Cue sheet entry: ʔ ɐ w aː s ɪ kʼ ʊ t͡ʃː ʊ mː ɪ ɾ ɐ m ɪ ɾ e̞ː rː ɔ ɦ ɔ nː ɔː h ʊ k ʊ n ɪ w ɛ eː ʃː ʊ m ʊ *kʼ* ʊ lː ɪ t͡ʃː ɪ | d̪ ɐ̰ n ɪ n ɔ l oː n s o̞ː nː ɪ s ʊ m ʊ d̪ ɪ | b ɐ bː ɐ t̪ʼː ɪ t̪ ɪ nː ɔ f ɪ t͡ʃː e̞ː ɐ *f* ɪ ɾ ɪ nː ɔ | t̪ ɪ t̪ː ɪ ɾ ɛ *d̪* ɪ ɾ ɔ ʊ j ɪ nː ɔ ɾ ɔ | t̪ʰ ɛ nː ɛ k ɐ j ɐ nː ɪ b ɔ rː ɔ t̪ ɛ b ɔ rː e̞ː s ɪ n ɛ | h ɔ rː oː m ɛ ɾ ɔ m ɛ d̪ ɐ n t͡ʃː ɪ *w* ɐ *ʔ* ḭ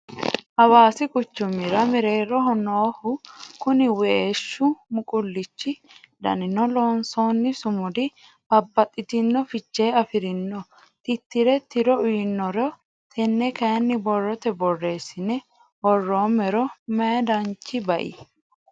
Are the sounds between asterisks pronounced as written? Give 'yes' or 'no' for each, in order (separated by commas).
yes, yes, no, no, yes